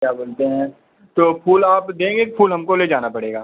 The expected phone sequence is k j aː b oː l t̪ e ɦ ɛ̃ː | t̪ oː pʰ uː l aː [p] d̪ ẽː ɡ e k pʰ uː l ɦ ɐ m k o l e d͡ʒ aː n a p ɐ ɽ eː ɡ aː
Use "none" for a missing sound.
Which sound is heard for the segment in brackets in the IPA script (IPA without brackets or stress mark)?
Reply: p